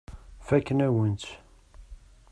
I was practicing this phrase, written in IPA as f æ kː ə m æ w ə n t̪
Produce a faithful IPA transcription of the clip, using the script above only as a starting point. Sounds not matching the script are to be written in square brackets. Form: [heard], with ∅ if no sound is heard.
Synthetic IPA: f æ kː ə [n] æ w ə n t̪

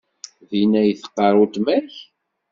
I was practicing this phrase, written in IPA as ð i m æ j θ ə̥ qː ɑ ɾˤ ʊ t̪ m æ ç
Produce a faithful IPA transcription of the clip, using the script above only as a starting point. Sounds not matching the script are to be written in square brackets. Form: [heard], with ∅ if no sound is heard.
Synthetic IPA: ð i [n] æ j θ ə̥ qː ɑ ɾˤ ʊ t̪ m æ ç

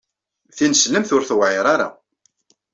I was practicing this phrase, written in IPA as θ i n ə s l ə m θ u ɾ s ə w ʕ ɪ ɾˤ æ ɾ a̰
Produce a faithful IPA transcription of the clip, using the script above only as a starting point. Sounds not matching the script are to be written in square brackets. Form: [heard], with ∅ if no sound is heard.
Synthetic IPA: θ i n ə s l ə m θ [ʊ] ɾ [θ] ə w ʕ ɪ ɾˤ [a] ɾ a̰

